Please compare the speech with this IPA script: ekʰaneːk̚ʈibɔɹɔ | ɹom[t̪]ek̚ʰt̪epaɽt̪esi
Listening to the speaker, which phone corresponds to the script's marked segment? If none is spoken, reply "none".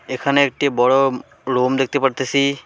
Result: d̪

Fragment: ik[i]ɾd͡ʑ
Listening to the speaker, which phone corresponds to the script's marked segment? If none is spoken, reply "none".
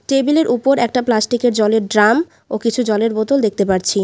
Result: e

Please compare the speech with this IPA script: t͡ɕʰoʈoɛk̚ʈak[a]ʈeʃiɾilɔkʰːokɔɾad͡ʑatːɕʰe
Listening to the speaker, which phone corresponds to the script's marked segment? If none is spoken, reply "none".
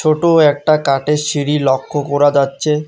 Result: a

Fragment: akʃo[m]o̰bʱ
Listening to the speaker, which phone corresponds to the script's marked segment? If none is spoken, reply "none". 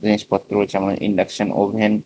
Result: n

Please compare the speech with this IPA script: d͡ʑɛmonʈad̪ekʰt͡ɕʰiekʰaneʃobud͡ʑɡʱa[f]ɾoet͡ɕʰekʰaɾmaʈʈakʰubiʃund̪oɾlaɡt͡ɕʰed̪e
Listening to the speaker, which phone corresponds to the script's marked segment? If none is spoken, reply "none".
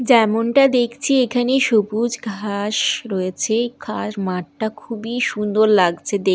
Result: ʃ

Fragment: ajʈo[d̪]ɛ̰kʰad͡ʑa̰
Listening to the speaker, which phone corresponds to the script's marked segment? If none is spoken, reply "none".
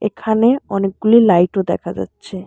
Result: d̪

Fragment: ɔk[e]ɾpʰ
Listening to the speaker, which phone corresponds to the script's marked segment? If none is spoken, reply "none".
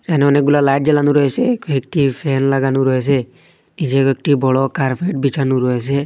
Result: a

